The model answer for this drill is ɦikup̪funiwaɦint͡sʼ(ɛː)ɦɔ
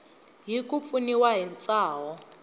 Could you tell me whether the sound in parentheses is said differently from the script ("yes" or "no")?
yes